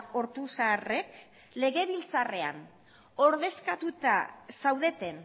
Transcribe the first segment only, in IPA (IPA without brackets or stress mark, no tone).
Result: o̞